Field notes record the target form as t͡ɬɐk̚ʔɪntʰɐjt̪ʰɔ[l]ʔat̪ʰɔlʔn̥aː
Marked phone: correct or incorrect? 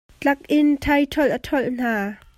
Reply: correct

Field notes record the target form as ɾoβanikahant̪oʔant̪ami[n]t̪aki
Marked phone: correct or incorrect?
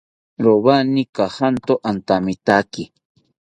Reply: incorrect: none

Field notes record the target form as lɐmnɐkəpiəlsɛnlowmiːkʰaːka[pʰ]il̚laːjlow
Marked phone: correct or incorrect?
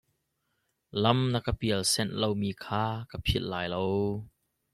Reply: correct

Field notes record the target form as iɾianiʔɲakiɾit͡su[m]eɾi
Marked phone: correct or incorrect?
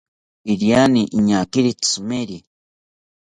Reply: correct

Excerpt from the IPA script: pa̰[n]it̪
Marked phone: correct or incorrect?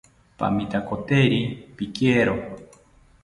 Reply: incorrect: m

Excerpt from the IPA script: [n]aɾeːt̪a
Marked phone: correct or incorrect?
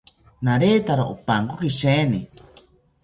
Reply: correct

